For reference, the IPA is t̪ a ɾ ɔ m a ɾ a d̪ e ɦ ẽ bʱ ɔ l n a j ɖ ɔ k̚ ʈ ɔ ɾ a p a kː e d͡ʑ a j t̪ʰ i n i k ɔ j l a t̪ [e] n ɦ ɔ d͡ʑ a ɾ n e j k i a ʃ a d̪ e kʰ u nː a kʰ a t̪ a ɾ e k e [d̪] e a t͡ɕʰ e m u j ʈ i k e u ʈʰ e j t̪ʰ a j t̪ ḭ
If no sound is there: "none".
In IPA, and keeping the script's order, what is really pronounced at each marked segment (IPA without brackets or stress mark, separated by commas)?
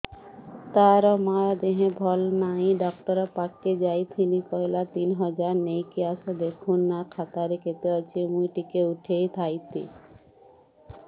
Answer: i, t̪